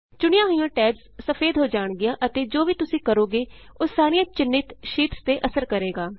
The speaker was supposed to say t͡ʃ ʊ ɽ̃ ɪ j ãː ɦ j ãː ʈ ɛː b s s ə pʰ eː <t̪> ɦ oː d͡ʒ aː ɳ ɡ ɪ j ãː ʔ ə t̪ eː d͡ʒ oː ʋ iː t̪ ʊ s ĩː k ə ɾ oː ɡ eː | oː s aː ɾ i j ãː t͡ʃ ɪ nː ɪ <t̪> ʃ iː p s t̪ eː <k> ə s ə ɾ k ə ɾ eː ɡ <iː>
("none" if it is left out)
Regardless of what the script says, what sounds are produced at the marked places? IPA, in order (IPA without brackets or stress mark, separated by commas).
d̪, t̪, ʔ, aː